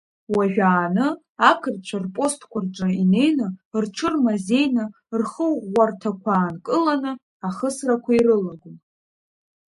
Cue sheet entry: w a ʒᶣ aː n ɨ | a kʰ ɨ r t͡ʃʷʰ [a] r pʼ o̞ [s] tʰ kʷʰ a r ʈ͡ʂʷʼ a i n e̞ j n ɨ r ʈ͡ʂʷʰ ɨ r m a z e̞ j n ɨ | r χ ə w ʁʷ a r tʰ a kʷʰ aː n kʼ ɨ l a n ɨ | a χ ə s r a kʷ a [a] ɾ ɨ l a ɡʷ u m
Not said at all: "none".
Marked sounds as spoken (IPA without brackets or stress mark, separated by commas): a, s, i